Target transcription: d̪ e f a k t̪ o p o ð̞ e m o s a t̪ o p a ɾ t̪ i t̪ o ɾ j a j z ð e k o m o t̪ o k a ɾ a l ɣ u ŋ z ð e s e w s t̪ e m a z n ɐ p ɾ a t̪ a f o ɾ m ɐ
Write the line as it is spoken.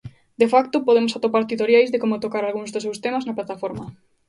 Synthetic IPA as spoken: d̪ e f a k t̪ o p o ð̞ e m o s a t̪ o p a ɾ t̪ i t̪ o ɾ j a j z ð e k o m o t̪ o k a ɾ a l ɣ u ŋ z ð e s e w s t̪ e m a z n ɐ p l a t̪ a f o ɾ m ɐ